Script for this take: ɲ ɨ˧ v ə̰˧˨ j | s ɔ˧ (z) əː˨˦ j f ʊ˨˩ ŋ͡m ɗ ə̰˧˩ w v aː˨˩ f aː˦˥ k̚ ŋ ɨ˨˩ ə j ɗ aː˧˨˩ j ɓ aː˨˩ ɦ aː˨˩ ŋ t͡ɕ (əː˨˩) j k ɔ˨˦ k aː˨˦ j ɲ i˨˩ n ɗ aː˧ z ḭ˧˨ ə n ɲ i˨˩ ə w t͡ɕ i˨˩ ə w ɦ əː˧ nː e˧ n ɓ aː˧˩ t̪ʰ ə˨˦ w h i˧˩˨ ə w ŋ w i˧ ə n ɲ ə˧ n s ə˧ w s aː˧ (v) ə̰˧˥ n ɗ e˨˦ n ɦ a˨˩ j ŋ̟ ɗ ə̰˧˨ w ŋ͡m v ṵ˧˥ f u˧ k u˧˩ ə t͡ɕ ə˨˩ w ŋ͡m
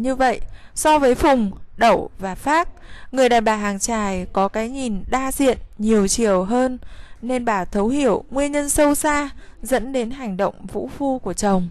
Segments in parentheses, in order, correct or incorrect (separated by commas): incorrect, incorrect, incorrect